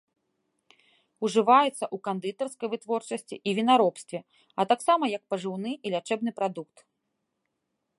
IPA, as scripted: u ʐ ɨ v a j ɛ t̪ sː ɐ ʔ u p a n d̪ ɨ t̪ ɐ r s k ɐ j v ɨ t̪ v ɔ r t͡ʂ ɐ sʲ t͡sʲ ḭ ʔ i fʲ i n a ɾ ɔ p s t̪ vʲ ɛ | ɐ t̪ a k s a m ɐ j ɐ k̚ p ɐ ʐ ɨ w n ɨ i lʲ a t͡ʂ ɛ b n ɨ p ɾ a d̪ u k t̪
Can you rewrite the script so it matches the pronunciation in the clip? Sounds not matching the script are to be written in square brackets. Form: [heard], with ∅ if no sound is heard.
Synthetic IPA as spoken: u ʐ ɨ v a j ɛ t̪ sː ɐ ʔ u [k] a n d̪ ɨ t̪ ɐ r s k ɐ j v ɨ t̪ v ɔ r t͡ʂ ɐ sʲ t͡sʲ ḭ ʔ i [vʲ] i n a ɾ ɔ p s t̪ vʲ ɛ | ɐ t̪ a k s a m ɐ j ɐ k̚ p ɐ ʐ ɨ w n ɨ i lʲ a t͡ʂ ɛ b n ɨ p ɾ a d̪ u k t̪